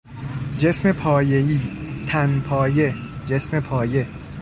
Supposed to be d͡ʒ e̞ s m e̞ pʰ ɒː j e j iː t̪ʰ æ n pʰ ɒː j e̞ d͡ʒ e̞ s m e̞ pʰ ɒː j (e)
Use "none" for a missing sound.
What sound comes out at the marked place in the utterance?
e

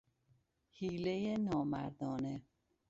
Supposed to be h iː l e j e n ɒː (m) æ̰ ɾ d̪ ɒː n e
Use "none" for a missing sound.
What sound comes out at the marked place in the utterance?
m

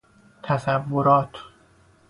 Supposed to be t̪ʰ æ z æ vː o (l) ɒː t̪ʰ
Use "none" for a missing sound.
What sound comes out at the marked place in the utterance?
ɾ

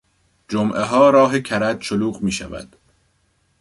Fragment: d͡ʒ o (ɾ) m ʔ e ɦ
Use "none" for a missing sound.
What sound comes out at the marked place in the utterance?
none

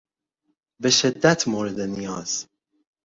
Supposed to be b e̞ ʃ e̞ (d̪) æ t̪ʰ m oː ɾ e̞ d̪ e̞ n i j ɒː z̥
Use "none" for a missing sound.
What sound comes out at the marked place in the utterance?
d̪ː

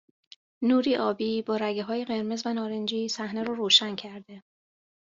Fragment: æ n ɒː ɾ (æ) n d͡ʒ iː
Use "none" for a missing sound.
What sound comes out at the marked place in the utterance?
e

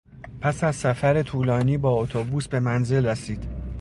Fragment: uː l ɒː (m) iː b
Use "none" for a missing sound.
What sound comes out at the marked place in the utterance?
n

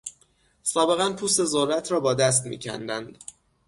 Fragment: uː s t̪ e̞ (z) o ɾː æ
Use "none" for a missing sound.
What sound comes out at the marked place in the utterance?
z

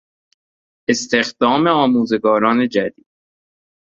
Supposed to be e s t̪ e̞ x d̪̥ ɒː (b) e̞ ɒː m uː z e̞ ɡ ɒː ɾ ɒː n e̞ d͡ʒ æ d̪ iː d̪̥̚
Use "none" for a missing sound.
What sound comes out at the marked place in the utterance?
m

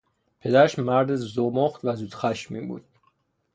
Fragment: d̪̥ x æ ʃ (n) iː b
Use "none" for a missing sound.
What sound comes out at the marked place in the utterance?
m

